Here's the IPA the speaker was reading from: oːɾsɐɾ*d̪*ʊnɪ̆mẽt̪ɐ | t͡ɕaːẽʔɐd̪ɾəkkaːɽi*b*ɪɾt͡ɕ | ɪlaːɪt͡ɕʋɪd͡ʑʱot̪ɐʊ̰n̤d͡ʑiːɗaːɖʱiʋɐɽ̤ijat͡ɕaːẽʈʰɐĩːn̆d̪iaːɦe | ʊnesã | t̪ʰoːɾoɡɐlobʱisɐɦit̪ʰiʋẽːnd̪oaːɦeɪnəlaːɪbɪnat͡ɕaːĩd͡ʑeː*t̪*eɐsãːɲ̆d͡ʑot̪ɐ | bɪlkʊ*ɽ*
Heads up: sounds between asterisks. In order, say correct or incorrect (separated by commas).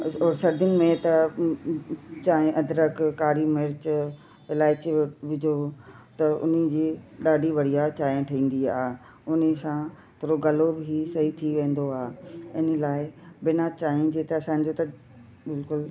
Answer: correct, incorrect, correct, incorrect